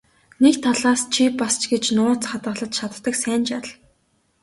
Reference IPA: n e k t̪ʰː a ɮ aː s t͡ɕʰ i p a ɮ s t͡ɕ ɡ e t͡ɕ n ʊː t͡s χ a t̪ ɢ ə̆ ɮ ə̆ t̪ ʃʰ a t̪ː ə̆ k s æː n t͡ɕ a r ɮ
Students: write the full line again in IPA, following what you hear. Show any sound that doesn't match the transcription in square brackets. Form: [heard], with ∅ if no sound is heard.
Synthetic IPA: n e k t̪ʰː a ɮ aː s t͡ɕʰ i p a [∅] s t͡ɕ ɡ e t͡ɕ n ʊː t͡s χ a t̪ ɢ ə̆ ɮ ə̆ t̪ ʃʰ a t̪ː ə̆ k s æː n t͡ɕ a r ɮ